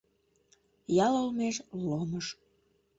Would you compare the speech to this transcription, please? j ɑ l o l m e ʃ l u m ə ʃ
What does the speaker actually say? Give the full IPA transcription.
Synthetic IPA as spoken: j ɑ l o l m e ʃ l o m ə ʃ